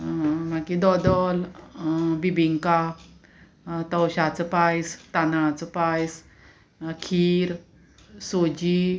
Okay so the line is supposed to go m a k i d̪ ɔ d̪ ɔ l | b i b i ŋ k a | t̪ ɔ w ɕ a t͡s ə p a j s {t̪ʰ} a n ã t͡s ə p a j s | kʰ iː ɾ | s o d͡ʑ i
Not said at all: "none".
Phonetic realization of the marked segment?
t̪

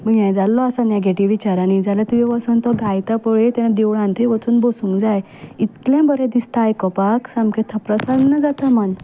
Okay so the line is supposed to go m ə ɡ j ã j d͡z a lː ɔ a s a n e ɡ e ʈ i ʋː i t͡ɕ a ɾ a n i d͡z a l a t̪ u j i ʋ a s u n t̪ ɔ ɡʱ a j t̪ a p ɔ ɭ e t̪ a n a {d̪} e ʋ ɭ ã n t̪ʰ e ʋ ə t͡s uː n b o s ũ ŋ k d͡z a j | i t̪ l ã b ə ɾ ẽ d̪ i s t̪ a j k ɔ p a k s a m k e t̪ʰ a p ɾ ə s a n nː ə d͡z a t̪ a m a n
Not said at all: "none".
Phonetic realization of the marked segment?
d̪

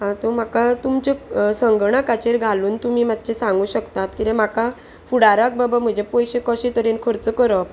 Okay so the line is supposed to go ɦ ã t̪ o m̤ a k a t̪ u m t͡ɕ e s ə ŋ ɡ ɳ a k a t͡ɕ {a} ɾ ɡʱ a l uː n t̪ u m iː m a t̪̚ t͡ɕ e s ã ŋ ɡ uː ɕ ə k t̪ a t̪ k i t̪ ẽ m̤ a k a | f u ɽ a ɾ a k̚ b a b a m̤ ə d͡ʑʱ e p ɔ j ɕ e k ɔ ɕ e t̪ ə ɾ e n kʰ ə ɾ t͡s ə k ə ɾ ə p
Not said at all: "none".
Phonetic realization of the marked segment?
e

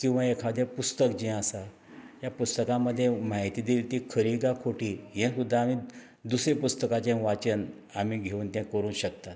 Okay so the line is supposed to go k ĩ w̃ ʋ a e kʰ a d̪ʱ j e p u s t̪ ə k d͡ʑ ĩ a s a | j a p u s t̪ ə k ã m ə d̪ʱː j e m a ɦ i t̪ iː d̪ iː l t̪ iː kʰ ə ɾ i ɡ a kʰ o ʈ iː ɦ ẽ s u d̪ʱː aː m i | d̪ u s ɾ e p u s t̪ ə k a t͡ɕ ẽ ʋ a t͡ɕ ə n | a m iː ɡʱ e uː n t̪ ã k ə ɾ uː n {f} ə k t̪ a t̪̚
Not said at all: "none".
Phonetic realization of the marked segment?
ɕ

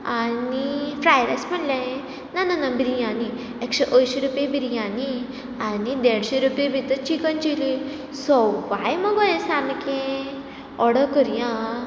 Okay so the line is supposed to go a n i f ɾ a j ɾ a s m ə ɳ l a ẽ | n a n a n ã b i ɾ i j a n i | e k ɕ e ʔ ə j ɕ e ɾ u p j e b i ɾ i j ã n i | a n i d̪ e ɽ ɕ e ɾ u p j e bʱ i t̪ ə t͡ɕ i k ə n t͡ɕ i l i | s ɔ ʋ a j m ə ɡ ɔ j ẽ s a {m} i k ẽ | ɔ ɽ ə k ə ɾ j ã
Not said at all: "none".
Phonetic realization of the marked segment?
m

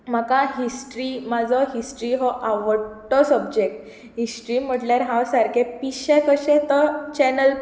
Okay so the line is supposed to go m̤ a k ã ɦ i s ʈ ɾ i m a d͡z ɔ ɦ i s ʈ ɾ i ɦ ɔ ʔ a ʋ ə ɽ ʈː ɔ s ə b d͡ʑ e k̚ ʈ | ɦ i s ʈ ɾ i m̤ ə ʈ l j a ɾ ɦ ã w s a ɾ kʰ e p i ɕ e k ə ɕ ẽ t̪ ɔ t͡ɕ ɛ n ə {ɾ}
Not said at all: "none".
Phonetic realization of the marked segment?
l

